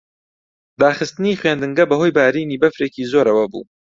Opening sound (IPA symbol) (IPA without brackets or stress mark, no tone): d̪